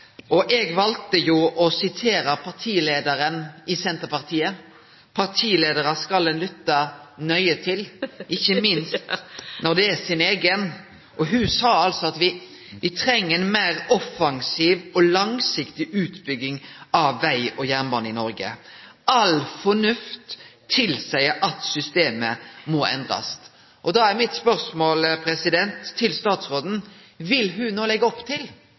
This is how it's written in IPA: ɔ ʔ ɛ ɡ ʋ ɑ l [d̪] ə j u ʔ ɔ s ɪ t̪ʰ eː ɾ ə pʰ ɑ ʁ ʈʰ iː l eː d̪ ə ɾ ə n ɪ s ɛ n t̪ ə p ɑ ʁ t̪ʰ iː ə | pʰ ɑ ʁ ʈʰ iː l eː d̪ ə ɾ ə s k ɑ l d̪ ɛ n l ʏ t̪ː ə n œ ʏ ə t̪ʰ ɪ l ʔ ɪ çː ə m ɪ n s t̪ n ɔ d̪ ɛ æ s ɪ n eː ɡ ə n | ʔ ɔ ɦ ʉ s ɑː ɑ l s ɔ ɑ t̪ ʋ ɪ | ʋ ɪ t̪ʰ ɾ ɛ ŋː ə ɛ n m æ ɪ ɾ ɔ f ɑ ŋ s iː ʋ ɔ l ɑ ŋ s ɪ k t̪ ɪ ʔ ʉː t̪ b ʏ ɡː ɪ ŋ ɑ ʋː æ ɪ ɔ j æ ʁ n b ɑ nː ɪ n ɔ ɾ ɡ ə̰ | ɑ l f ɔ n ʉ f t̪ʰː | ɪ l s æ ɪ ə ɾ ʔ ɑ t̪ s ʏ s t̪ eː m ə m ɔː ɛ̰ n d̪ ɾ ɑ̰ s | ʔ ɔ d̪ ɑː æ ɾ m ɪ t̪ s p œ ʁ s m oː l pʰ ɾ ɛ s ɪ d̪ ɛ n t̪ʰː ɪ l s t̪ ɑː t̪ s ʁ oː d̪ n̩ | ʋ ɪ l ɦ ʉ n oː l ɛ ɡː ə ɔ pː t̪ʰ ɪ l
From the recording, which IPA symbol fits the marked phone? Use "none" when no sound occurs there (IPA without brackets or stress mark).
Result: t̪